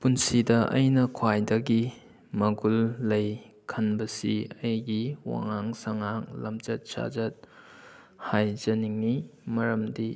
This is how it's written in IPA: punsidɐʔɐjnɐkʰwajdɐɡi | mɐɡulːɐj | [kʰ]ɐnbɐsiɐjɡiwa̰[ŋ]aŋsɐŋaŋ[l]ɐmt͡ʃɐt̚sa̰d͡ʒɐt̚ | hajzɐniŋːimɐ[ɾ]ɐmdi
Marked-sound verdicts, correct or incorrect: correct, correct, correct, correct

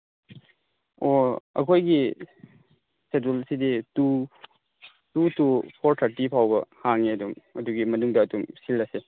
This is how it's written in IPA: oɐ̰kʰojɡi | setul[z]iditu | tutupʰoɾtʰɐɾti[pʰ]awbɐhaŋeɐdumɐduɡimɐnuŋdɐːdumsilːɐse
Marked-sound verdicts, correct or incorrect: incorrect, correct

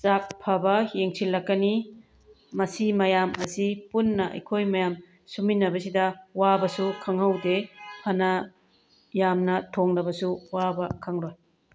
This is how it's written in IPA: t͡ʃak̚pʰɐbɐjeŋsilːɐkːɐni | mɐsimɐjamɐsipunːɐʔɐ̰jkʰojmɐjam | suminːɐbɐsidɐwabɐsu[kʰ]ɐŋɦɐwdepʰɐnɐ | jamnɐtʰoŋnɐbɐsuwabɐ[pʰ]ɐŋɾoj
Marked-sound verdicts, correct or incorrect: correct, incorrect

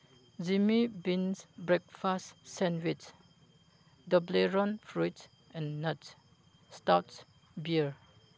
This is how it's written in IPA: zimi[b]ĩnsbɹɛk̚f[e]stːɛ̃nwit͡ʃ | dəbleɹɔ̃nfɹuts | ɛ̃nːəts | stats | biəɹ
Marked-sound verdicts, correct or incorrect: correct, incorrect

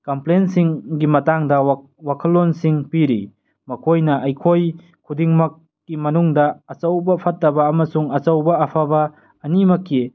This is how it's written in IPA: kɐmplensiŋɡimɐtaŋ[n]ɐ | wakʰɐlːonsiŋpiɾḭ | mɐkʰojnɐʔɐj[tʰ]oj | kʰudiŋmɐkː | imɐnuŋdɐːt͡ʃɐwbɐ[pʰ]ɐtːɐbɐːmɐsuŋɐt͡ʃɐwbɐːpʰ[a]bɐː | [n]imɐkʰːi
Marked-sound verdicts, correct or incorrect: incorrect, incorrect, correct, correct, correct

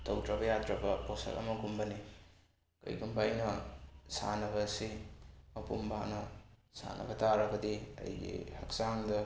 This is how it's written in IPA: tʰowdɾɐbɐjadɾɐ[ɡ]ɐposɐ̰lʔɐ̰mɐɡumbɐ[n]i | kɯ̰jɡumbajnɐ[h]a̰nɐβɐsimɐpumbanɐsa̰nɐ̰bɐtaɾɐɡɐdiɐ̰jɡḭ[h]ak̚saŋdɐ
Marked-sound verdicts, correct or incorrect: incorrect, correct, incorrect, correct

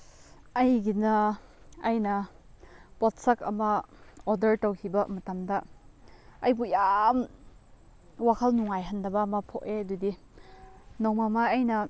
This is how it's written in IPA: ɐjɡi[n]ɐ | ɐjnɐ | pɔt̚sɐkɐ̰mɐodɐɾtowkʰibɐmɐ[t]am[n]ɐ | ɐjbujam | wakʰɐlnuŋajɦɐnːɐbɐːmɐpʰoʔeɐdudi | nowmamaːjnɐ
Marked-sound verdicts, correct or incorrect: correct, correct, incorrect

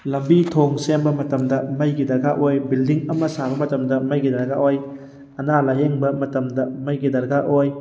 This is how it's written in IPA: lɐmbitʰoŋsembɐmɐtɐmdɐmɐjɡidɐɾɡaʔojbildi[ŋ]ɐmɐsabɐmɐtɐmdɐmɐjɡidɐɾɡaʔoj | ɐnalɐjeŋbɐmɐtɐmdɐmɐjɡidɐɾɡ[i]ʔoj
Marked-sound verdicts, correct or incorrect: correct, incorrect

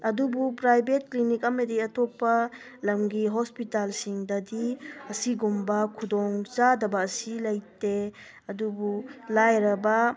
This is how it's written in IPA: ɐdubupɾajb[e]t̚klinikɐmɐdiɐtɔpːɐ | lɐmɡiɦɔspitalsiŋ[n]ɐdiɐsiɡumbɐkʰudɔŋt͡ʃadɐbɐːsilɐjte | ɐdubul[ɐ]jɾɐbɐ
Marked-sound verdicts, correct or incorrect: correct, incorrect, incorrect

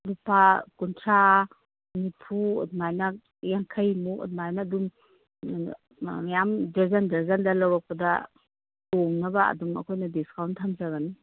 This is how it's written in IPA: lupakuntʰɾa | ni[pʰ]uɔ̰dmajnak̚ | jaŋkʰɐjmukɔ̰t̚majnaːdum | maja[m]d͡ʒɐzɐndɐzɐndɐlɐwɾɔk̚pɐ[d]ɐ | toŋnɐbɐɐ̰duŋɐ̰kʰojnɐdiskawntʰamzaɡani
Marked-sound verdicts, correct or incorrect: correct, correct, correct

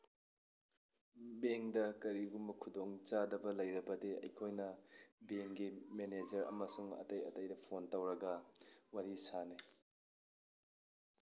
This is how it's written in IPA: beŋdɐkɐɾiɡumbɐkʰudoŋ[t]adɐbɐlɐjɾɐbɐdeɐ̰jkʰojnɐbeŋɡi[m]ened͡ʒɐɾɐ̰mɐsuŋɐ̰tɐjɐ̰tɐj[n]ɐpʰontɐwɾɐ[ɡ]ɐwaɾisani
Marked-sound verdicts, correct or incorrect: incorrect, correct, incorrect, correct

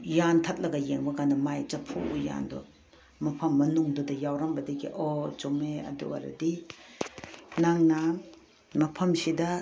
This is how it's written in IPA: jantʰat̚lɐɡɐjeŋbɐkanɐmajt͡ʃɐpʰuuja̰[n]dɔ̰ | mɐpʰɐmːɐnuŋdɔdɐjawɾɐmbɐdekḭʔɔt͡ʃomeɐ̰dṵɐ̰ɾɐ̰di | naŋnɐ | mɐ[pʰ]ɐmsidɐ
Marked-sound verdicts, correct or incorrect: correct, correct

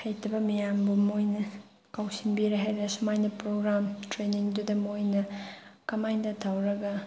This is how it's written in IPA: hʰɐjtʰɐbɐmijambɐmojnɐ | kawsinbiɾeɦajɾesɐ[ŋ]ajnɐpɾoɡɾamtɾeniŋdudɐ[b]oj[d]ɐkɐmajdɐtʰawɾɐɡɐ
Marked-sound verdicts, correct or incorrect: incorrect, incorrect, incorrect

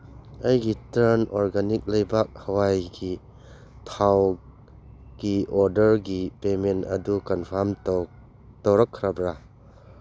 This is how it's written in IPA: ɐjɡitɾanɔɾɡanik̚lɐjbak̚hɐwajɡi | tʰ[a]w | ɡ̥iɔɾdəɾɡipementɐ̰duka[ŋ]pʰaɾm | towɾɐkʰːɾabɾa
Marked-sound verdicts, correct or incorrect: correct, incorrect

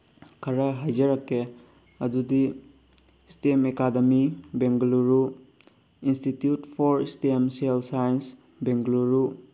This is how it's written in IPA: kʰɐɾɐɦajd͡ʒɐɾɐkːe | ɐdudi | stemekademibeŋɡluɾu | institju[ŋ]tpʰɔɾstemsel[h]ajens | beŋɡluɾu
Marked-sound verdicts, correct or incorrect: incorrect, incorrect

